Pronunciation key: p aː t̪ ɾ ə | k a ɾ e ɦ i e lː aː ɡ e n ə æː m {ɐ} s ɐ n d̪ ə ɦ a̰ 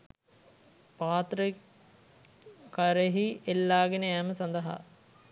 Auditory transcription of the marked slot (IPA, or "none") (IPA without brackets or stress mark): ə